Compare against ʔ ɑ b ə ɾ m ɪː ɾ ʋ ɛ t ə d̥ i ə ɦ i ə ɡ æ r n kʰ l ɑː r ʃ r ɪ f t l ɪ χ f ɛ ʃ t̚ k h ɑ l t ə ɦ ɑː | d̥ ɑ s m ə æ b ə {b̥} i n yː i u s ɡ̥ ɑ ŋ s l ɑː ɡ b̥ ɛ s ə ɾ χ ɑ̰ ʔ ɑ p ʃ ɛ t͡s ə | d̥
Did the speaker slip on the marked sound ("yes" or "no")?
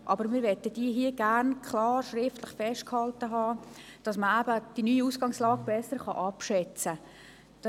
yes